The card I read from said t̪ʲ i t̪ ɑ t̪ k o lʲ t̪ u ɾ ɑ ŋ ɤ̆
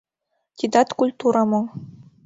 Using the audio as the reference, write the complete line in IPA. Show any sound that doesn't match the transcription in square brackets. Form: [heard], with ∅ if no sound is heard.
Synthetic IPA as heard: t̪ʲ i [d̪] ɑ t̪ k [u] lʲ t̪ u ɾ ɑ [m] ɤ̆